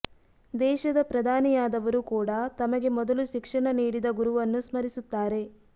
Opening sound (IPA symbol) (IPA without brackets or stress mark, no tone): d̪